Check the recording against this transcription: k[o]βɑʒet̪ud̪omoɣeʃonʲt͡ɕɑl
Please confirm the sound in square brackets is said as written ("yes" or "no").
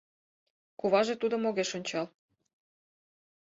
no